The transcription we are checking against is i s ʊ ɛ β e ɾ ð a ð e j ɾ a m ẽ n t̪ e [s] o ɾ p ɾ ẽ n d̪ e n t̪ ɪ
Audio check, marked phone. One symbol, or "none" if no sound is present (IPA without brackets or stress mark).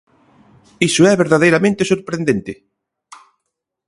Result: s